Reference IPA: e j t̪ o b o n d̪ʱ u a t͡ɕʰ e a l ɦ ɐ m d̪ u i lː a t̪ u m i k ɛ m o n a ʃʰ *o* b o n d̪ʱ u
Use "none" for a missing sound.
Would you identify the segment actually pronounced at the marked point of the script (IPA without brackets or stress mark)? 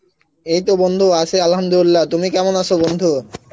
o